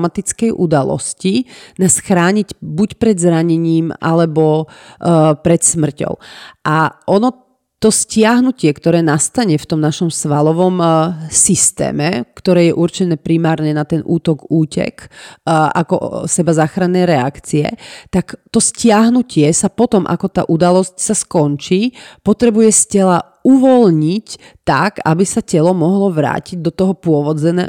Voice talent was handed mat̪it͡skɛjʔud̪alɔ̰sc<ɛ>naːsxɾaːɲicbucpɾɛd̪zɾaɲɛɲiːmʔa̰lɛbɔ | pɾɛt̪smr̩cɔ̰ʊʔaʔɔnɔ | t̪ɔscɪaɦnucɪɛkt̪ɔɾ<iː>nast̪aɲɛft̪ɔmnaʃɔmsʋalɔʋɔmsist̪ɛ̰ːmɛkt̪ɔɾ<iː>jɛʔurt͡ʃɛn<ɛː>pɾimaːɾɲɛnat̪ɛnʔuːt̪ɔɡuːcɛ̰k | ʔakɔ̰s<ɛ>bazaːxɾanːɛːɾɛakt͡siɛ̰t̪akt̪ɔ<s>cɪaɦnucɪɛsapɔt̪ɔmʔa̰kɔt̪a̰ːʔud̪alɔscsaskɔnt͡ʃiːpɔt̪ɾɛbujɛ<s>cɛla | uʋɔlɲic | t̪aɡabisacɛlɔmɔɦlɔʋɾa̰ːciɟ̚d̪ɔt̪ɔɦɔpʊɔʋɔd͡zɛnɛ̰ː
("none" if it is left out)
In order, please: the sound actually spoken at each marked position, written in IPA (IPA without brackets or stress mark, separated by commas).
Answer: i, ɛː, ɛː, ɛː, ɛ, s, s